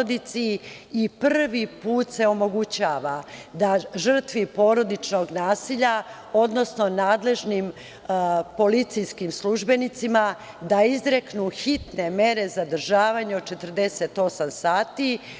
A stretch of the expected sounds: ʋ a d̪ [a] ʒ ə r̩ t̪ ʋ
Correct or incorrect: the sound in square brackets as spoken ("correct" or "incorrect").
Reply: correct